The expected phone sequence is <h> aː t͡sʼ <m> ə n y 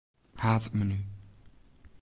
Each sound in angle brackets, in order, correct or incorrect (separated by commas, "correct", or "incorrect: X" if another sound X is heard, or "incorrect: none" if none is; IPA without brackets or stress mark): correct, correct